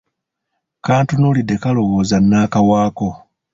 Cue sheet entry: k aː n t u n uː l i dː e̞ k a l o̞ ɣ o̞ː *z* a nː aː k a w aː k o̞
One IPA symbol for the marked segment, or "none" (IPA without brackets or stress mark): z